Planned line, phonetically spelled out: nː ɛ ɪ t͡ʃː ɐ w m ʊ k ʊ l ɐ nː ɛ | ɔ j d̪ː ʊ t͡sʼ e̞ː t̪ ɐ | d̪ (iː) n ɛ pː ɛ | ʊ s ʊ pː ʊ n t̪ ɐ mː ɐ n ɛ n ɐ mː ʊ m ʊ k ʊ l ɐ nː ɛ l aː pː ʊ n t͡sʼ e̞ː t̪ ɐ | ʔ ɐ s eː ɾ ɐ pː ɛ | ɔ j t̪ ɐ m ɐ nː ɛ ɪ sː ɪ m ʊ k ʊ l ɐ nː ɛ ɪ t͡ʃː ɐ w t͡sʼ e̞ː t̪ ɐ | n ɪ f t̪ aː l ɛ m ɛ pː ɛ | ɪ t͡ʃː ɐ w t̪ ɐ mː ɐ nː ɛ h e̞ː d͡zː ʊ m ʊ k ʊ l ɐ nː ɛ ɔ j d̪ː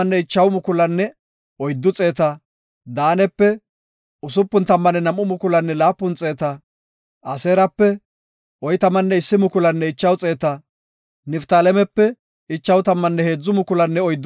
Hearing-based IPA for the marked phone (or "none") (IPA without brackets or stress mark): aː